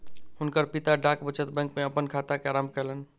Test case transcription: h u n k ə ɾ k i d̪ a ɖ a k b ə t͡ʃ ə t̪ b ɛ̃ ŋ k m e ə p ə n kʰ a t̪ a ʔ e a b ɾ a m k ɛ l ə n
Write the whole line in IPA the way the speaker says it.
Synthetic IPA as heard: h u n k ə ɾ p i t̪ a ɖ a k b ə t͡ʃ ə t̪ b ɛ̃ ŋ k m e ə p ə n kʰ a t̪ a k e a ɾ a m k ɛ l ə n